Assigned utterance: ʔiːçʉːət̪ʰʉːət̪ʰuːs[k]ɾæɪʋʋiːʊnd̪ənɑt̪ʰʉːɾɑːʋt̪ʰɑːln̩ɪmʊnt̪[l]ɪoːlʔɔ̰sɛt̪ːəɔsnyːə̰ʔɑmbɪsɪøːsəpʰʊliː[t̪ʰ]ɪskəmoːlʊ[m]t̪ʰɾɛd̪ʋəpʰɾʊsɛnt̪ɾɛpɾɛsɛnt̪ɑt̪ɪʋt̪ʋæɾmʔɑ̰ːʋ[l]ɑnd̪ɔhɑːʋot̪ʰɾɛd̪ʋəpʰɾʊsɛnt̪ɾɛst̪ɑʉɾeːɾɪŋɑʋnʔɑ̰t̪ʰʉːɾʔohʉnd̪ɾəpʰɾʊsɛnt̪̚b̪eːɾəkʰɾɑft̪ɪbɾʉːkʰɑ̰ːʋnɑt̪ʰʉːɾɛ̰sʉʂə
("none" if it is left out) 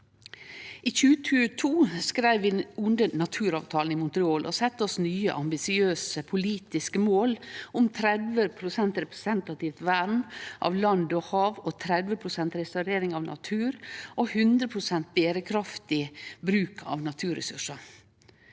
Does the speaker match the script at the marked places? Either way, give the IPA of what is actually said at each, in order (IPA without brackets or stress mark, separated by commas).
k, ɾ, t̪, m, l